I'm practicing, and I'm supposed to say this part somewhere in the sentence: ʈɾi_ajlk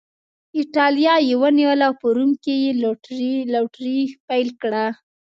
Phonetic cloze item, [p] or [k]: p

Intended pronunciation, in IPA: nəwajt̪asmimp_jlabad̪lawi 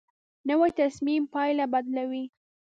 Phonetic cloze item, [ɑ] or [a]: ɑ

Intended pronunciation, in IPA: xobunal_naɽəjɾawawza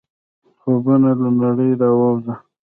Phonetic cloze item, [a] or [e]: a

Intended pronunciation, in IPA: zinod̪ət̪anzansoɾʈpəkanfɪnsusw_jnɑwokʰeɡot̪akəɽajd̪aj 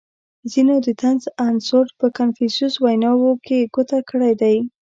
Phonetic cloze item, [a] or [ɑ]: a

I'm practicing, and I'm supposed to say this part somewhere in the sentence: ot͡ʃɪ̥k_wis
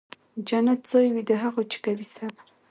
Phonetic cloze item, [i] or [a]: a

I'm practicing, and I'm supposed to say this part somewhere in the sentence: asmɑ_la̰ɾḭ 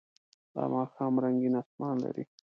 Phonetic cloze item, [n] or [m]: n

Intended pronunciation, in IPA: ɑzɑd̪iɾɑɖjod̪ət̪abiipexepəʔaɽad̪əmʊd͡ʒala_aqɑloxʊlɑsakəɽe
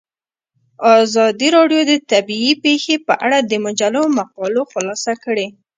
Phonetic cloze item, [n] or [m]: m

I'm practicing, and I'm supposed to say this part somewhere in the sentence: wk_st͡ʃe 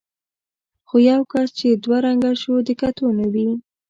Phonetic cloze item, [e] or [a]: a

